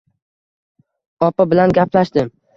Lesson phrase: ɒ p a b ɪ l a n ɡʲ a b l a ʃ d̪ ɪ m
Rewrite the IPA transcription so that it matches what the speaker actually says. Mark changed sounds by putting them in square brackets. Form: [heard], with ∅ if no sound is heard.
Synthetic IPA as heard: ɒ p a b ɪ l a n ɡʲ a [p] l a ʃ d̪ ɪ m